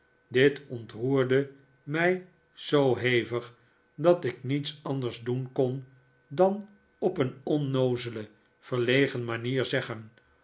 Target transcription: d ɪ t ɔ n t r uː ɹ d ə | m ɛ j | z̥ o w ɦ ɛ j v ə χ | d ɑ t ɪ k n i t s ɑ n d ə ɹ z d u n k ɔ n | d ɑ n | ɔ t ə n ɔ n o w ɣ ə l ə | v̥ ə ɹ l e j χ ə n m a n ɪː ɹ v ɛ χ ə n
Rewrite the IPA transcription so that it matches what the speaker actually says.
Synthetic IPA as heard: d ɪ t ɔ n t r uː ɹ d ə | m ɛ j | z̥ o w ɦ e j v ə χ | d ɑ t ɪ k n i t s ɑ n d ə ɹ z d u n k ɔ n | d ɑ n | ɔ p ə n ɔ n o w z ə l ə | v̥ ə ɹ l e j χ ə n m a n iː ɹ z ɛ χ ə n